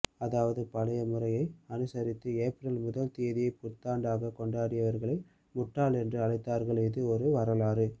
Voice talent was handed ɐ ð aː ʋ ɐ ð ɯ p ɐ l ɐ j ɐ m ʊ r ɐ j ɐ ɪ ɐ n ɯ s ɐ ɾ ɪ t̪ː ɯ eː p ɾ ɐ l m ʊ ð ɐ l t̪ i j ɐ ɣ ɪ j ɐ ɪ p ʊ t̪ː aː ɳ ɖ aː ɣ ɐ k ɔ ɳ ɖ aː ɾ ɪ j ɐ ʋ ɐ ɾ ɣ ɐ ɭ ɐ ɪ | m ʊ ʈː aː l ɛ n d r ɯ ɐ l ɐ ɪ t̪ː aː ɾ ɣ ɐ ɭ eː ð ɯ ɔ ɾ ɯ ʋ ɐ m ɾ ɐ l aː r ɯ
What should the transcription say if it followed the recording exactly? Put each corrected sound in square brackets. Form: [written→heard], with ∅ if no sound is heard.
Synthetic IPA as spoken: ɐ ð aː ʋ ɐ ð ɯ p ɐ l ɐ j ɐ m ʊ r ɐ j ɐ ɪ ɐ n ɯ s ɐ ɾ ɪ t̪ː ɯ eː p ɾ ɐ l m ʊ ð ɐ l t̪ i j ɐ [ɣ→ð] ɪ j ɐ ɪ p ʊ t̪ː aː ɳ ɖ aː ɣ ɐ k ɔ ɳ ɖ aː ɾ ɪ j ɐ ʋ ɐ ɾ ɣ ɐ ɭ ɐ ɪ | m ʊ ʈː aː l ɛ n d r ɯ ɐ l ɐ ɪ t̪ː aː ɾ ɣ ɐ ɭ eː ð ɯ ɔ ɾ ɯ ʋ ɐ [m→∅] ɾ ɐ l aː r ɯ